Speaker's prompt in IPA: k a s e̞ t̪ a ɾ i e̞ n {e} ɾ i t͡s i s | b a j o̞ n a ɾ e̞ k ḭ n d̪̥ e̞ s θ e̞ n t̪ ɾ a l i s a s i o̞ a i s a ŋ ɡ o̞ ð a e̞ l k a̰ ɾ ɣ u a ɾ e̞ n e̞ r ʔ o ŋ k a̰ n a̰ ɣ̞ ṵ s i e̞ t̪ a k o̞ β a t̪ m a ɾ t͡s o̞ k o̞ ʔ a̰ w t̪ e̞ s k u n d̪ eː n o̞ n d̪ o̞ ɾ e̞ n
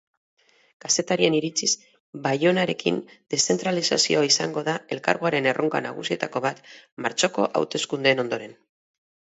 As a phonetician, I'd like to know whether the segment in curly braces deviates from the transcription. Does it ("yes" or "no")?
yes